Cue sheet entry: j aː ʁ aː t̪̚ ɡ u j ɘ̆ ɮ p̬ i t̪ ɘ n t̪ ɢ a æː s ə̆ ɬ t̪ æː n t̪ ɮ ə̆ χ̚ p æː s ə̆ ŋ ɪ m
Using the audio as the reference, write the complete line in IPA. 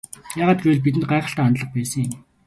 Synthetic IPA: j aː ʁ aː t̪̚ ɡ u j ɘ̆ ɮ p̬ i t̪ ɘ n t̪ ɢ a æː χ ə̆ ɬ t̪ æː n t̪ ɮ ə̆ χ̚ p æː s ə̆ ŋ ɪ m